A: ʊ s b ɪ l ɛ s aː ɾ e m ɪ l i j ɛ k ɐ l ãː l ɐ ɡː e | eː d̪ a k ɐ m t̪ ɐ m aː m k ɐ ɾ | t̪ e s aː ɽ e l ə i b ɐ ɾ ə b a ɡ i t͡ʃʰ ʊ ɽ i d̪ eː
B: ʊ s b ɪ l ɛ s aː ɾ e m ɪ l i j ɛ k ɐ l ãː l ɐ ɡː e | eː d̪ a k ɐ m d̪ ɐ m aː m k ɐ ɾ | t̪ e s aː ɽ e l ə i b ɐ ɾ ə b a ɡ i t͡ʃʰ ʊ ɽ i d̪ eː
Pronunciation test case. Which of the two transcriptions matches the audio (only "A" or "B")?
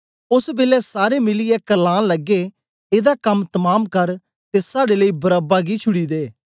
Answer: A